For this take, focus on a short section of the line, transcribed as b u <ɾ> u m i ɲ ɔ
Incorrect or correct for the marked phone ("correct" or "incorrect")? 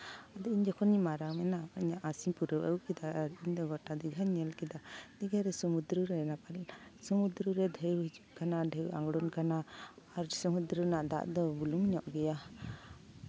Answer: incorrect